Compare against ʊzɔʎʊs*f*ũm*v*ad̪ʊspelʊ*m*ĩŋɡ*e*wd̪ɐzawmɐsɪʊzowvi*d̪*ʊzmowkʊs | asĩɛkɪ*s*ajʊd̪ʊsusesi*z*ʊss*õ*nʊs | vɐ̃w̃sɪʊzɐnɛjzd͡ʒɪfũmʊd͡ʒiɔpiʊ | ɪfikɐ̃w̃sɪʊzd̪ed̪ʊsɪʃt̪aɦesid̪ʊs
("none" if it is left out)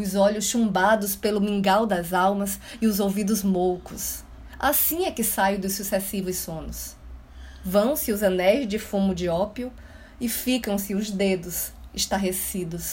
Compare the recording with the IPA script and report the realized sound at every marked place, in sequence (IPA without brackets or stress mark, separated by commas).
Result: ʃ, b, m, a, d̪, s, v, õ